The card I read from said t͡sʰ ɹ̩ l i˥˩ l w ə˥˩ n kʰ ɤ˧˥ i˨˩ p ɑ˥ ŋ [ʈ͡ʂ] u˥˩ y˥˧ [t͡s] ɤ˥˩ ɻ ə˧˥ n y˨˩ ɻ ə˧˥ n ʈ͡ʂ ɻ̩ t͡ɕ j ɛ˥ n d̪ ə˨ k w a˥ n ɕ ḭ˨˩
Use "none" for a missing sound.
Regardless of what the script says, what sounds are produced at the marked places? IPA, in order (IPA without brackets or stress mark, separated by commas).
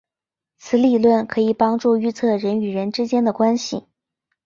ʈ͡ʂ, t͡sʰ